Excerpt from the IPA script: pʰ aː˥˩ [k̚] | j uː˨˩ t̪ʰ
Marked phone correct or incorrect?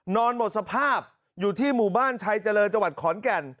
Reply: incorrect